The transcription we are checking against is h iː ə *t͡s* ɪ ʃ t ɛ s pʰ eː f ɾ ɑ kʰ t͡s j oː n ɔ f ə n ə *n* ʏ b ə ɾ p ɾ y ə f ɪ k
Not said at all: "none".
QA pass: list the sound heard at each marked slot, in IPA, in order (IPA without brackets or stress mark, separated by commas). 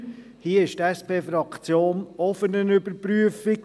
none, n